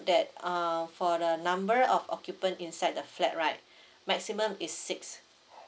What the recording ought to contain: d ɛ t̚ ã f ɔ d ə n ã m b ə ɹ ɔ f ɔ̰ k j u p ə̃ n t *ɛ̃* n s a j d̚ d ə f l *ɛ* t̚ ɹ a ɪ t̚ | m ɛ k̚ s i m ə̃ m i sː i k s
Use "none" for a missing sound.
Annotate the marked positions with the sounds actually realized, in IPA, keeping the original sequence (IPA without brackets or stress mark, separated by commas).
ĩ, ɛ